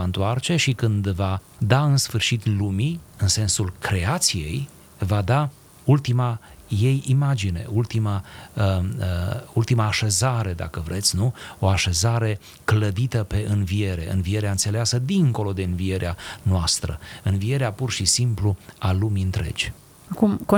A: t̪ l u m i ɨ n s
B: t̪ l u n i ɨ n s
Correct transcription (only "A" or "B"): A